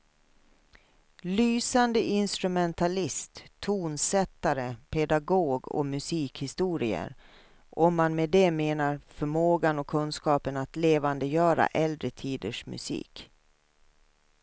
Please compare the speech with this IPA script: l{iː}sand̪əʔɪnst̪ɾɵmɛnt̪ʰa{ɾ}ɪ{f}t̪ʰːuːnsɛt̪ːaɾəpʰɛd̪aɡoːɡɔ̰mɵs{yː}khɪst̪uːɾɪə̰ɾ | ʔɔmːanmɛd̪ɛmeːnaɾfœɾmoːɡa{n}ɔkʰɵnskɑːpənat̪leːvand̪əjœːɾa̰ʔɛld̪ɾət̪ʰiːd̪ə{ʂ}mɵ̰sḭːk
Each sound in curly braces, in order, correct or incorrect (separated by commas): incorrect, incorrect, incorrect, incorrect, correct, correct